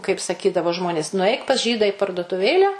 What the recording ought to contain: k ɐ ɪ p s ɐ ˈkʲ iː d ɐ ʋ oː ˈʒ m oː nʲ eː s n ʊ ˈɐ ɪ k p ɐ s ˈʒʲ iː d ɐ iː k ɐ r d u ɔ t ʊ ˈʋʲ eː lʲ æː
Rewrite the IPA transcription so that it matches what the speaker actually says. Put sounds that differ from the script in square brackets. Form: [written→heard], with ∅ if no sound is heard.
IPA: k ɐ ɪ p s ɐ ˈkʲ iː d ɐ ʋ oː ˈʒ m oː nʲ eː s n ʊ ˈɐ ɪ k p ɐ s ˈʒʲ iː d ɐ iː [k→p] ɐ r d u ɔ t ʊ ˈʋʲ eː lʲ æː